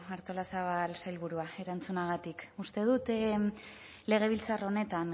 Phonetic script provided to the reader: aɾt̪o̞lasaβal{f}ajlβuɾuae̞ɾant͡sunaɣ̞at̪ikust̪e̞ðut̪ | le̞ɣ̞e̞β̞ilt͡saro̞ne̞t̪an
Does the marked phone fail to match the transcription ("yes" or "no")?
yes